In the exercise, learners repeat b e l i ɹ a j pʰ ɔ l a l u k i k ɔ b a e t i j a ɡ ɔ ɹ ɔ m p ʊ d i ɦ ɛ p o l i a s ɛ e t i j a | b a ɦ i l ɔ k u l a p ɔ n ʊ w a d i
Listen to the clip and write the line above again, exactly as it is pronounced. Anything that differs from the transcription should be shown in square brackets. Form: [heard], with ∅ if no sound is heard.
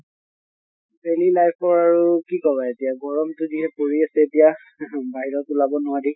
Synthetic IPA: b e l i [l] a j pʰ ɔ [ɹ] a [ɹ] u k i k ɔ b a e t i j a ɡ ɔ ɹ ɔ m [t] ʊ d i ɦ ɛ p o [ɹ] i a s ɛ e t i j a | b a ɦ i [ɹ] ɔ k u l a [b] ɔ n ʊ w a d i